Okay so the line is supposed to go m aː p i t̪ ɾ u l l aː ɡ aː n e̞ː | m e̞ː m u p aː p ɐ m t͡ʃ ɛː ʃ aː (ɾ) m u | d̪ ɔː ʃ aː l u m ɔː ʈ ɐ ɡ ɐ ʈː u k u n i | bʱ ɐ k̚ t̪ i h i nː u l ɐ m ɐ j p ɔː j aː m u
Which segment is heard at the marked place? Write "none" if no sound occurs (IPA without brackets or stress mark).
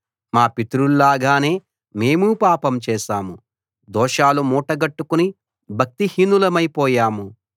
none